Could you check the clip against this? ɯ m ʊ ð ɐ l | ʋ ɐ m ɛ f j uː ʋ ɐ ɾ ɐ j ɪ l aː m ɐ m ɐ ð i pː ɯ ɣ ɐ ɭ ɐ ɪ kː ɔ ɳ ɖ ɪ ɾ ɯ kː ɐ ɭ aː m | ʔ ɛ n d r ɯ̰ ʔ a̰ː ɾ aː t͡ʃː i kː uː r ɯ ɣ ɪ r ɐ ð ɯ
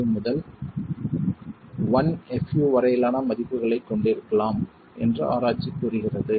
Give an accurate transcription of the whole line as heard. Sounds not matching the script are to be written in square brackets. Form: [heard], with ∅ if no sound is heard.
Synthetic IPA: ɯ m ʊ ð ɐ l | ʋ ɐ [n] ɛ f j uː ʋ ɐ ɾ ɐ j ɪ l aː [n] ɐ m ɐ ð [ɪ] pː ɯ ɣ ɐ ɭ ɐ ɪ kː ɔ ɳ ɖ ɪ ɾ ɯ kː ɐ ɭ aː m | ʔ ɛ n d r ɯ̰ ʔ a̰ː ɾ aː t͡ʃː i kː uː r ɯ ɣ ɪ r ɐ ð ɯ